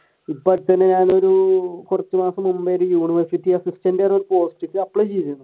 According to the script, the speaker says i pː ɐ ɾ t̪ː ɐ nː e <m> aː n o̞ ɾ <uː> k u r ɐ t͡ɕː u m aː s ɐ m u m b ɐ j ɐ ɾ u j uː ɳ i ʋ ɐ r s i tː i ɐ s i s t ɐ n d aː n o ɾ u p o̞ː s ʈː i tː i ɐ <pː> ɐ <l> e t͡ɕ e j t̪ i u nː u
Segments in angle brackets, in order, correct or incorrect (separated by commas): incorrect, incorrect, correct, incorrect